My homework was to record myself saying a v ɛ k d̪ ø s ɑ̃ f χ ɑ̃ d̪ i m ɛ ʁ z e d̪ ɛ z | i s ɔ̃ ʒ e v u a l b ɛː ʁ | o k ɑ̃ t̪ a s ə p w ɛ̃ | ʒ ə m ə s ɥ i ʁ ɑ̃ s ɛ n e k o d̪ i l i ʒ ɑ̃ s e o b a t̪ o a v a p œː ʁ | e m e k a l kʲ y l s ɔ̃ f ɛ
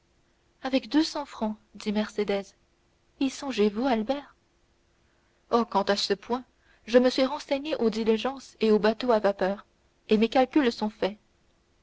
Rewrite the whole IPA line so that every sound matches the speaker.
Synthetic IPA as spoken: a v ɛ k d̪ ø s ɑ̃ f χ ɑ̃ d̪ i m ɛ ʁ s e d̪ ɛ z | i s ɔ̃ ʒ e v u a l b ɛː ʁ | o k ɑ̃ t̪ a s ə p w ɛ̃ | ʒ ə m ə s ɥ i ʁ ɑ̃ s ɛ ɲ e ʔ o d̪ i l i ʒ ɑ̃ s e o b a t̪ o a v a p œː ʁ | e m e k a l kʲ y l s ɔ̃ f ɛ